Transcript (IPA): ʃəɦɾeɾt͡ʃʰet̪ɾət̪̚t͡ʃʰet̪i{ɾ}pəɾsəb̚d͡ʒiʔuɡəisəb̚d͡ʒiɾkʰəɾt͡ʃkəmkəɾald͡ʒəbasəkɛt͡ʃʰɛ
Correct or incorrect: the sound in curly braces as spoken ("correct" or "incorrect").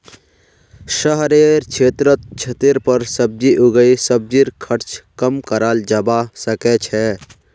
correct